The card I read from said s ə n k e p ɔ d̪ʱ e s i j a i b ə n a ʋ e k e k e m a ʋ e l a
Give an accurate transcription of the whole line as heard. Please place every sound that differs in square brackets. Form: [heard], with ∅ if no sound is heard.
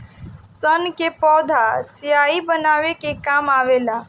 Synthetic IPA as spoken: s ə n k e p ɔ d̪ʱ [a] s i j a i b ə n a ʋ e k e k [a] m a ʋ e l a